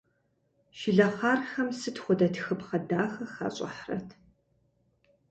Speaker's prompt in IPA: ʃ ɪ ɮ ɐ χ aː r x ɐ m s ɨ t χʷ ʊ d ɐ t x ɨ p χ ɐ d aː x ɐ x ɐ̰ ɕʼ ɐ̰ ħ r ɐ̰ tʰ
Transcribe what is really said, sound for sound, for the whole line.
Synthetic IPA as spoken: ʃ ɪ ɮ ɐ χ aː r x ɐ m s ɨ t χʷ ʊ d ɐ t x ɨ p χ ɐ d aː x ɐ x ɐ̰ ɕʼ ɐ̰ ħ r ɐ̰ tʰ